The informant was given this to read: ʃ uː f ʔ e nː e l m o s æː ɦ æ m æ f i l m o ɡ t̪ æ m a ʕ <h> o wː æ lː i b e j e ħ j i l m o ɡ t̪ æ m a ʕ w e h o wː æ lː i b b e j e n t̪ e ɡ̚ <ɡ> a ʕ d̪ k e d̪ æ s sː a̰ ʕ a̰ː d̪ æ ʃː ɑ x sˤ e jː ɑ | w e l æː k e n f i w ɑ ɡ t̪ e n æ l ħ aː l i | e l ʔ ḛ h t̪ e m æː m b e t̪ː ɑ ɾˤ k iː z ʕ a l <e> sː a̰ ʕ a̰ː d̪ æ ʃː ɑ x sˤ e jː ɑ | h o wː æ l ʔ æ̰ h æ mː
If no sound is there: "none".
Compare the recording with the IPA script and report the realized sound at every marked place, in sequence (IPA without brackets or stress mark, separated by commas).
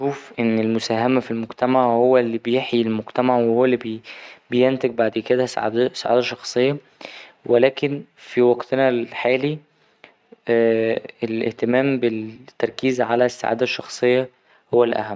h, b, æ